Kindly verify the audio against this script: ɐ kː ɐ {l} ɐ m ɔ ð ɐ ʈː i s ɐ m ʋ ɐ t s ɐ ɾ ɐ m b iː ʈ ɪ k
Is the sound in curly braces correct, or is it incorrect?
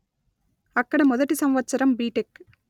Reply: incorrect